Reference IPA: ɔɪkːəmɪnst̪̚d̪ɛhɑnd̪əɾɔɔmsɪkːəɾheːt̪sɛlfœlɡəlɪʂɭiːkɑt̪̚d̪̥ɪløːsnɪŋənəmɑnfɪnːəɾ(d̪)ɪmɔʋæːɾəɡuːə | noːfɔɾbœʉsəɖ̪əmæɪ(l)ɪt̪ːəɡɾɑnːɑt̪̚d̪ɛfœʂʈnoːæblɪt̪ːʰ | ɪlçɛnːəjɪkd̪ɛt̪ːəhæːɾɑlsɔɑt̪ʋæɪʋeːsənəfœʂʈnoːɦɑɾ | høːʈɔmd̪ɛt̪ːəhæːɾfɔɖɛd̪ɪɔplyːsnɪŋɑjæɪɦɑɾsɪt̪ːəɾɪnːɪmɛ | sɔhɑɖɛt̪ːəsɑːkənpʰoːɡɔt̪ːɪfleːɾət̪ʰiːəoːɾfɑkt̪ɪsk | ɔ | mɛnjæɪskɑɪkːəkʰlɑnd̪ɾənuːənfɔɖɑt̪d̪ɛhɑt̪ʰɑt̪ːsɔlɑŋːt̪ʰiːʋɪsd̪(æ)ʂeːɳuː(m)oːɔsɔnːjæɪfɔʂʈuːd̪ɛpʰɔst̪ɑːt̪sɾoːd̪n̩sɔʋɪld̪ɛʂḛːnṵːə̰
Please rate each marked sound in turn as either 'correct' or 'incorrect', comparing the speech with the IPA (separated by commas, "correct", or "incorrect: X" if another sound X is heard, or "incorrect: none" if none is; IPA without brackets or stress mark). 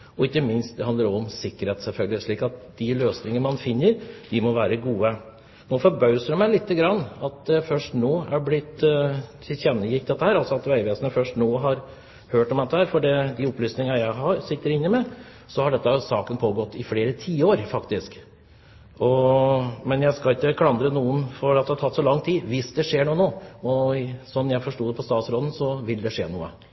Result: correct, correct, incorrect: ɛ, incorrect: n